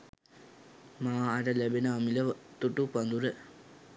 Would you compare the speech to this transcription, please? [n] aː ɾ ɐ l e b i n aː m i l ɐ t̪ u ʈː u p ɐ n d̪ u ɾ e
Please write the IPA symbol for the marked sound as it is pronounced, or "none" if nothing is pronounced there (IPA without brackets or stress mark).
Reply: m